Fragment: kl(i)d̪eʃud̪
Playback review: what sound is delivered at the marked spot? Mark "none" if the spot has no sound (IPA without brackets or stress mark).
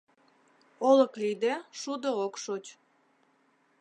i